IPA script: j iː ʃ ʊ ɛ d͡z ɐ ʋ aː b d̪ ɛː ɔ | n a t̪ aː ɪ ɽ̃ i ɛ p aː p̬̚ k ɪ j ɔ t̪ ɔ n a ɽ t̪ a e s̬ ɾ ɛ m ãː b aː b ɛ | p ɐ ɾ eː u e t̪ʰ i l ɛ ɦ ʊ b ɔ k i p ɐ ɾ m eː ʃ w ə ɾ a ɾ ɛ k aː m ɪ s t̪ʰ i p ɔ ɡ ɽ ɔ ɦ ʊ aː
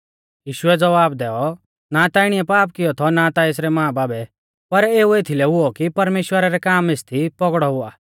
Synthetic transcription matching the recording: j iː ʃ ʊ ɛ d͡z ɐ ʋ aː b d̪ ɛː ɔ | n a t̪ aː ɪ ɽ̃ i ɛ p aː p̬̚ k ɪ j ɔ t̪ʰ ɔ n a t̪ a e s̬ ɾ ɛ m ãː b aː b ɛ | p ɐ ɾ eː u e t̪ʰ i l ɛ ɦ ʊ ɔ k i p ɐ ɾ m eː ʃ w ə ɾ a ɾ ɛ k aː m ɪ s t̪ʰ i p ɔ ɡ ɽ ɔ ɦ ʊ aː